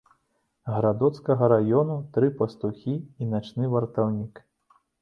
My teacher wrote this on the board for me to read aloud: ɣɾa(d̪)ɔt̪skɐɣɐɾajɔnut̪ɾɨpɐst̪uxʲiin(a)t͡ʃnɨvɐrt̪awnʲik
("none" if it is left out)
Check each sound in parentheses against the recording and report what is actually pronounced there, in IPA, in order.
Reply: d̪, a

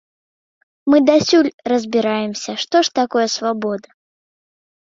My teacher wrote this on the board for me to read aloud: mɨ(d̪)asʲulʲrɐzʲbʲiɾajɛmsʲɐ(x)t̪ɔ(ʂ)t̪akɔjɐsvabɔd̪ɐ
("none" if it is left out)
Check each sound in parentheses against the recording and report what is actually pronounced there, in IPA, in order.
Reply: d̪, ʂ, ʂ

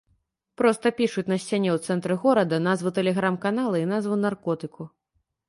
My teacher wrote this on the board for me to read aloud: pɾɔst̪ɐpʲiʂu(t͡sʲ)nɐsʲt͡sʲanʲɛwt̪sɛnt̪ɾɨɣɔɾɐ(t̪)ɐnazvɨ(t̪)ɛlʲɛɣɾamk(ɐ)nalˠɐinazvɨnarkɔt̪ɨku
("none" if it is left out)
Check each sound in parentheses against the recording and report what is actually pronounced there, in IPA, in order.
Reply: t͡sʲ, d̪, t̪, a

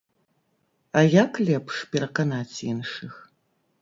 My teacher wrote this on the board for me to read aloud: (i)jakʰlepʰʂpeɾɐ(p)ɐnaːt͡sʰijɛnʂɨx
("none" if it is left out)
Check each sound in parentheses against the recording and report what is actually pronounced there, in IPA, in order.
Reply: a, q

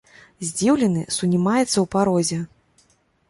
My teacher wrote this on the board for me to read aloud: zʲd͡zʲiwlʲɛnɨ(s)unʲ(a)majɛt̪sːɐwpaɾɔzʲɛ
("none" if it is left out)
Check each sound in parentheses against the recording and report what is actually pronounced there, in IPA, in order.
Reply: s, i

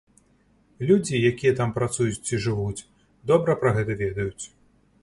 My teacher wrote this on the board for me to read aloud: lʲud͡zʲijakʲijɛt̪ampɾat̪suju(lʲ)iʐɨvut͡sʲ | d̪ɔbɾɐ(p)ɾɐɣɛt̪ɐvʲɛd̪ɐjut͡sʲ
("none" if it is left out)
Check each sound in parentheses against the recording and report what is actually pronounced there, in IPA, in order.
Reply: none, p

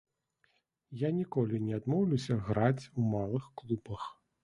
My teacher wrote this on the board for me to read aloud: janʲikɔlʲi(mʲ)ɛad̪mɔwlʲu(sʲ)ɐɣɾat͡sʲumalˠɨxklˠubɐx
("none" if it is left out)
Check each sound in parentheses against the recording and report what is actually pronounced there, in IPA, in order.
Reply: nʲ, sʲ

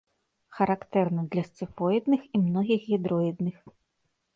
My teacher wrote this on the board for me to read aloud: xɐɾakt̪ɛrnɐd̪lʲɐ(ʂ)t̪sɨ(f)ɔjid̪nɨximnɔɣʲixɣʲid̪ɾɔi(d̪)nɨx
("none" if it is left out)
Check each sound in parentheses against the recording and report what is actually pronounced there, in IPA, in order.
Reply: s, f, d̪

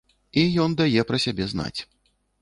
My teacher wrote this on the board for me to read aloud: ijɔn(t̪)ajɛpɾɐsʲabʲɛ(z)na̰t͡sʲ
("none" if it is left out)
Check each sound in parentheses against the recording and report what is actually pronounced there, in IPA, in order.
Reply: d̪, z

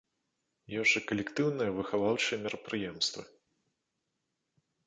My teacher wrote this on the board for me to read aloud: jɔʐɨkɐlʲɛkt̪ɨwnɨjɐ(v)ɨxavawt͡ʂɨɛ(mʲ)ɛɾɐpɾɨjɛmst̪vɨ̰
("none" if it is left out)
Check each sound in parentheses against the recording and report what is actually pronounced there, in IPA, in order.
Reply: v, mʲ

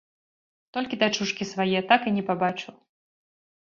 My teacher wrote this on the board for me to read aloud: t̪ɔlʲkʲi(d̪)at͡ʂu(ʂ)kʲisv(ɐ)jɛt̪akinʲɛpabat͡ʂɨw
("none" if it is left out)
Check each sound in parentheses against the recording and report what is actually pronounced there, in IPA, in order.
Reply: d̪, ʂ, a

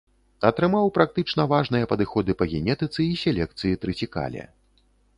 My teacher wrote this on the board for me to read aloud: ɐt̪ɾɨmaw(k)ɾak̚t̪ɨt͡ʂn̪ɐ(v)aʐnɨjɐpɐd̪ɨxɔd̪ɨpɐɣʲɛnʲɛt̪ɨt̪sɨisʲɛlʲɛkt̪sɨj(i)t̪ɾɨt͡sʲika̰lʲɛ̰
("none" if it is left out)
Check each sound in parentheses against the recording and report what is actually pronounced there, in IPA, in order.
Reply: p, v, i

